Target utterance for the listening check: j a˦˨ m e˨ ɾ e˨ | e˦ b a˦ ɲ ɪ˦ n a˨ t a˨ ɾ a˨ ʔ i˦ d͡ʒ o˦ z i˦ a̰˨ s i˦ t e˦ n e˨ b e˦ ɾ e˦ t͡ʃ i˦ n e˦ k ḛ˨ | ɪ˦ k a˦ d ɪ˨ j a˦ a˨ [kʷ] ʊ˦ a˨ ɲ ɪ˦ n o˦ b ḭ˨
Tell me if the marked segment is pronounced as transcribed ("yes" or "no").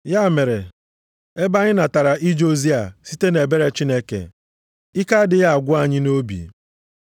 no